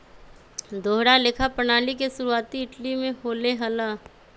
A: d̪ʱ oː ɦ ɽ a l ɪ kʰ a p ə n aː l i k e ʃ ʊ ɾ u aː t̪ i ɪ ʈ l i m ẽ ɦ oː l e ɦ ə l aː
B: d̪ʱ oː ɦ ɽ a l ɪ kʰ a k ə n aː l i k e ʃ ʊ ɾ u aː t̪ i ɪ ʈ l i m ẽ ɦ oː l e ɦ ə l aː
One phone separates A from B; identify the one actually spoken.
A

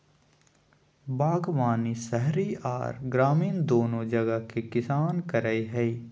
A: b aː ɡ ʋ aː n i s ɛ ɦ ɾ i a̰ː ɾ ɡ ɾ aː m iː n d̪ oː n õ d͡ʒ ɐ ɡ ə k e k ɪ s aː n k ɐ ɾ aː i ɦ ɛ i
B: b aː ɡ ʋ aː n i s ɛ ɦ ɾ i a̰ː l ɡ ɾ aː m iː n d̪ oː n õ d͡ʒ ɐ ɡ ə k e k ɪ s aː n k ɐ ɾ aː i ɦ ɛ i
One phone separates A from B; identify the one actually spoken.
A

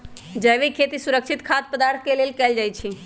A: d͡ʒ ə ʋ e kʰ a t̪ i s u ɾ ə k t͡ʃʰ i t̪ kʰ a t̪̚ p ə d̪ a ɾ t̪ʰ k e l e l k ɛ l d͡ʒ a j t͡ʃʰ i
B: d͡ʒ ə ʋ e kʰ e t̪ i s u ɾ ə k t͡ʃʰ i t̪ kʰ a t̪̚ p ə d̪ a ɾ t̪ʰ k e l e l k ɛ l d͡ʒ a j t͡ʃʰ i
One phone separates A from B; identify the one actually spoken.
B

